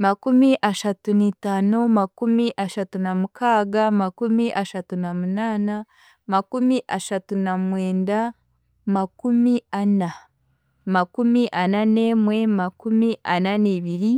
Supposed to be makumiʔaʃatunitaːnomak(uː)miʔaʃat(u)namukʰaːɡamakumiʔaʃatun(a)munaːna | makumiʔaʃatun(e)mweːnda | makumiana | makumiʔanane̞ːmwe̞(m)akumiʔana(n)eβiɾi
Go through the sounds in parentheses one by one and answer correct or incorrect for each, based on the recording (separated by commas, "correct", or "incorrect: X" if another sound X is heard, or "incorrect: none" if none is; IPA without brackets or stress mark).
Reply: incorrect: u, correct, correct, incorrect: a, correct, correct